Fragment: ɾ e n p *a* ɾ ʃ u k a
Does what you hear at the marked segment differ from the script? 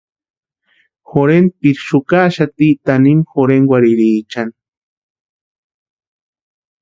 yes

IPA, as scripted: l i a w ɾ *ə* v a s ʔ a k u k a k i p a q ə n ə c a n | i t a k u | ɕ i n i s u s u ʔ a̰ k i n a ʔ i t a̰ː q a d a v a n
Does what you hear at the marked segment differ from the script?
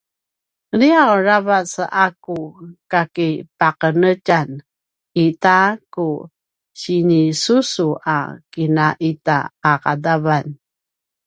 yes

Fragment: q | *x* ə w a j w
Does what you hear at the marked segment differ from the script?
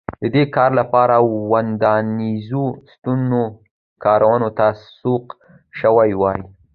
yes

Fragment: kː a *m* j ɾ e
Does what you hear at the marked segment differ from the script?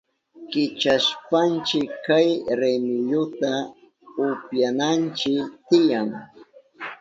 yes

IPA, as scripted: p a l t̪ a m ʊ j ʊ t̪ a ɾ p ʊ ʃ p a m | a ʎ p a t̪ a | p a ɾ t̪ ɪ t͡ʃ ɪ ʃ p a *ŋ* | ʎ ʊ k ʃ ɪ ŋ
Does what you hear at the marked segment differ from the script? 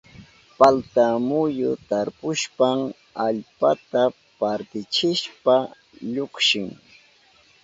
yes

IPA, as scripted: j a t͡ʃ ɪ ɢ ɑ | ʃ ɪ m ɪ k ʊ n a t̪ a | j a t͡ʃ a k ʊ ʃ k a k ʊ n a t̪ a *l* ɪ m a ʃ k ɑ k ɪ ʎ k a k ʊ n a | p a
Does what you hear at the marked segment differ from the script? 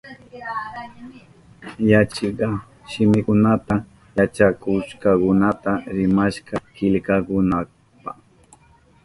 yes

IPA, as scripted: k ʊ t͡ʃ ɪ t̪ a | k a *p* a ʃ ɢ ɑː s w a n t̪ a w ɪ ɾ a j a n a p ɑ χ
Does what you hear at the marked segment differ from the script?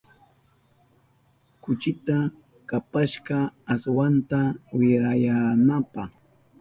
no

